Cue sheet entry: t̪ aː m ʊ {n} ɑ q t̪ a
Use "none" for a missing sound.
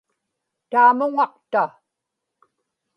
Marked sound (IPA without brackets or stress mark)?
ŋ